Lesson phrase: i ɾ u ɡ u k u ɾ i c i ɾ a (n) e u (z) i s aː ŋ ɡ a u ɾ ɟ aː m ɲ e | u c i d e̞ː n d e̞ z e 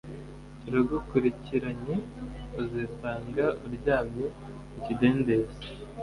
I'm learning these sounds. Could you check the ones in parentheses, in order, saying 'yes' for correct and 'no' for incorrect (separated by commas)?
no, yes